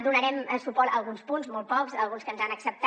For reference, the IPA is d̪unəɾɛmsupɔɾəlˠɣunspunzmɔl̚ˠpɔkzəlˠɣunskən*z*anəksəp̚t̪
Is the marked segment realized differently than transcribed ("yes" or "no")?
no